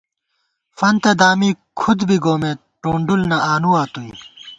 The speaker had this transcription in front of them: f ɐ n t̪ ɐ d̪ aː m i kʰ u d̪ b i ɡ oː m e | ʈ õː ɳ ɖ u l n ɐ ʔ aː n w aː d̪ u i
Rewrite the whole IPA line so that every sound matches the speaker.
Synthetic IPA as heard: f ɐ n t̪ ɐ d̪ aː m i kʰ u d̪ b i ɡ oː m e | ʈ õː ɳ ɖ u l n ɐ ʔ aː n u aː t̪ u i